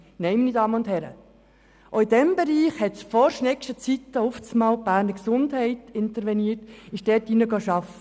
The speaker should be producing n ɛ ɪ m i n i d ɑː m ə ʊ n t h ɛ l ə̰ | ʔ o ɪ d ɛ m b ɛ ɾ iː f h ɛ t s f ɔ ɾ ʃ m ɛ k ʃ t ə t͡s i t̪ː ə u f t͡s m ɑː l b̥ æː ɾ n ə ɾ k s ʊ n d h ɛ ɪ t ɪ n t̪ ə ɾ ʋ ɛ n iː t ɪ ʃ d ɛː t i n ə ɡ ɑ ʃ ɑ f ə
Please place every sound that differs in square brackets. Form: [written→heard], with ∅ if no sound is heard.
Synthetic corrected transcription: n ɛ ɪ m i n i d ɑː m ə ʊ n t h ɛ [l→ɾ] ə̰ | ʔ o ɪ d ɛ m b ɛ ɾ iː [f→χ] h ɛ t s f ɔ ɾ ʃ [m→n] ɛ k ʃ t ə t͡s i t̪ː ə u f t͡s m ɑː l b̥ æː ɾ n ə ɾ k s ʊ n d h ɛ ɪ t ɪ n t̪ ə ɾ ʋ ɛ n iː t ɪ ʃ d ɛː t i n ə ɡ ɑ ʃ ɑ f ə